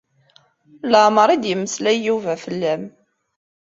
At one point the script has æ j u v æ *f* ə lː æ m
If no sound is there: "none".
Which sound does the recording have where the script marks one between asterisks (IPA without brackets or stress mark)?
f